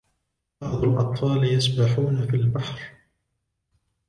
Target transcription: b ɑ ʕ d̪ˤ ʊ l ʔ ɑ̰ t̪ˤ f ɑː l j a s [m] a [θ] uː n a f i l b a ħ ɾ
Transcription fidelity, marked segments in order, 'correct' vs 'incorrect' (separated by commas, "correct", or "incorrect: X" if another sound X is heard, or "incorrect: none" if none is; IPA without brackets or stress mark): incorrect: b, incorrect: ħ